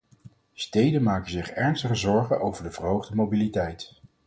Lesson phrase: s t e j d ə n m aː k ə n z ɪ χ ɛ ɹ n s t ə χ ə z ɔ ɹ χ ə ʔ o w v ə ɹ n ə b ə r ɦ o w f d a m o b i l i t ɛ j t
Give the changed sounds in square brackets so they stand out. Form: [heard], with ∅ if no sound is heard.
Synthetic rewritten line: s t e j d ə n m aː k ə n z ɪ χ ɛ ɹ n s t ə χ ə z ɔ ɹ χ ə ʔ o w v ə ɹ [d] ə [v] ə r ɦ o w [χ] d [ə] m o b i l i t ɛ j t